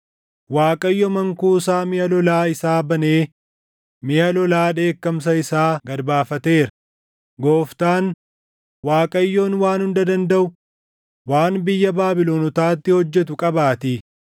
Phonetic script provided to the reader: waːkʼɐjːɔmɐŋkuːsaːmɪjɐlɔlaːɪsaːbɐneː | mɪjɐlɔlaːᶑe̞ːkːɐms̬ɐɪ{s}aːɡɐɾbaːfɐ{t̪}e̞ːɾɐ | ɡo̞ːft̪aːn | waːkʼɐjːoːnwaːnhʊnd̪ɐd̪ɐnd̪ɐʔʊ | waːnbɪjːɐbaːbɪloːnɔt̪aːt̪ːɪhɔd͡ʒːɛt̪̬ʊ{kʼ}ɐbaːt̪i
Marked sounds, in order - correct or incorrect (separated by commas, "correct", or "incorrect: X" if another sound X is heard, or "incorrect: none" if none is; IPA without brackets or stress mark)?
correct, correct, correct